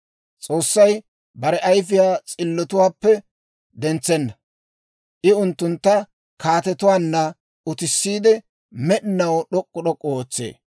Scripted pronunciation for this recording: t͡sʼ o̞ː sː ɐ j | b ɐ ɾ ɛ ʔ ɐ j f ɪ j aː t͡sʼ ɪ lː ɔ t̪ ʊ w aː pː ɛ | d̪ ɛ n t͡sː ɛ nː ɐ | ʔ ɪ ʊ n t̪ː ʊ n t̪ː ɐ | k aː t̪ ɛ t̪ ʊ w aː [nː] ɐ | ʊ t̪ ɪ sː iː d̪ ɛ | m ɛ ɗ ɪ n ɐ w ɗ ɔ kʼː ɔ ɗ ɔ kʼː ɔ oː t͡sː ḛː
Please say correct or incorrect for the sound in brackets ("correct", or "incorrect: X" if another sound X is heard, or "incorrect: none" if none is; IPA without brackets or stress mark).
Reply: correct